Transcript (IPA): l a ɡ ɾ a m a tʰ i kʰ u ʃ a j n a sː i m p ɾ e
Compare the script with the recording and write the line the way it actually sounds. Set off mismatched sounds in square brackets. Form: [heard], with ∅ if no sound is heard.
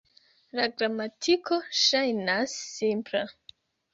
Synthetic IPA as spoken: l a ɡ ɾ a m a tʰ i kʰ [o] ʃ a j n a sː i m p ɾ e

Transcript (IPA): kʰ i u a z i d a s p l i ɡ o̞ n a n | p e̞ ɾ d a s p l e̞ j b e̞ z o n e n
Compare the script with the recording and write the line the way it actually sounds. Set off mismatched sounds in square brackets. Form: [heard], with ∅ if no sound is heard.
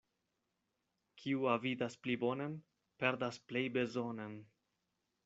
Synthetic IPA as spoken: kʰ i u a [v] i d a s p l i [b] o̞ n [e] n | p e̞ ɾ d a s p l e̞ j b e̞ z o n e n

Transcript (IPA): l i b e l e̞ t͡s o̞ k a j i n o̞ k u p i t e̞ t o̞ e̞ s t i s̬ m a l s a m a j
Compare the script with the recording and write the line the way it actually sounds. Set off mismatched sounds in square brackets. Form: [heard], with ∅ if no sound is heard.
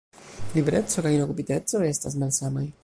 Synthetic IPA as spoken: l i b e [ɾ] e̞ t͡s o̞ k a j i n o̞ k u p i t e̞ [t͡s] o̞ e̞ s t [a] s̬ m a l s a m a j

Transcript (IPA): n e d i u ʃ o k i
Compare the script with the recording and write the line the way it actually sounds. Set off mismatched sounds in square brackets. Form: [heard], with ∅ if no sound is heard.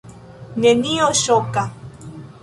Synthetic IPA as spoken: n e [n] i [o] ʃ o k [a]

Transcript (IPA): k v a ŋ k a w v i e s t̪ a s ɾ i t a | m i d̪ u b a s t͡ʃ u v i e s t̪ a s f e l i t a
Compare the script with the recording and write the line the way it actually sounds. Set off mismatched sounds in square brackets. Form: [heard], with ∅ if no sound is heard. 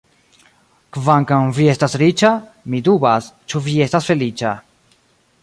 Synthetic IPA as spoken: k v a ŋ k a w v i e s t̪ a s ɾ i [t͡ʃ] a | m i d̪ u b a s t͡ʃ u v i e s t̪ a s f e l i [t͡ʃ] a

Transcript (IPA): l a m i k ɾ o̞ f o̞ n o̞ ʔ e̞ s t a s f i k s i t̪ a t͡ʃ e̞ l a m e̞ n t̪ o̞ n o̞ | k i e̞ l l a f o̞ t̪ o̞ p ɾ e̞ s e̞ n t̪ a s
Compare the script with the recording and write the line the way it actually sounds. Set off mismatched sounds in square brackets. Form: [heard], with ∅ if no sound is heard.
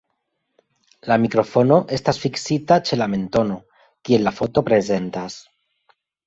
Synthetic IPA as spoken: l a m i k ɾ o̞ f o̞ n o̞ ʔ e̞ s t a s f i k s i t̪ a t͡ʃ e̞ l a m e̞ n t̪ o̞ n o̞ | k i e̞ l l a f o̞ t̪ o̞ p ɾ e̞ [z] e̞ n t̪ a s

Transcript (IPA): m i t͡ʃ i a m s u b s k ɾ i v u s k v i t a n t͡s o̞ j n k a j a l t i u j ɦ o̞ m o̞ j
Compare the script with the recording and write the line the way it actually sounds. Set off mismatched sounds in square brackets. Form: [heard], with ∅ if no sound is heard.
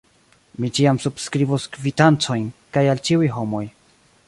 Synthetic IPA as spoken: m i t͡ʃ i a m s u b s k ɾ i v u s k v i t a n t͡s o̞ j n k a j a l [t͡ʃ] i u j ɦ o̞ m o̞ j

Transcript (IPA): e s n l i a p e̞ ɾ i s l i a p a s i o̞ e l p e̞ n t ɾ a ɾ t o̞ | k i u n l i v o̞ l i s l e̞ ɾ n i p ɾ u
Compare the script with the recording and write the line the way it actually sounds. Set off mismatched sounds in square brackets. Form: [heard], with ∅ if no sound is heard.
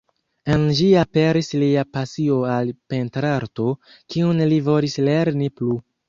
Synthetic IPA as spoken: e [∅] n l i a p e̞ ɾ i s l i a p a s i o̞ [a] l p e̞ n t ɾ a ɾ t o̞ | k i u n l i v o̞ l i s l e̞ ɾ n i p [l] u

